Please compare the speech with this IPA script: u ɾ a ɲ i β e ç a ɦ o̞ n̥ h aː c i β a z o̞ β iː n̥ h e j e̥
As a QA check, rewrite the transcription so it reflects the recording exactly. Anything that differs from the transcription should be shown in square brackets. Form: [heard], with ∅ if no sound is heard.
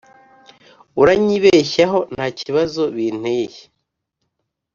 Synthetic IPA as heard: u ɾ a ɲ i β e ç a ɦ o̞ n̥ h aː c i β a z o̞ β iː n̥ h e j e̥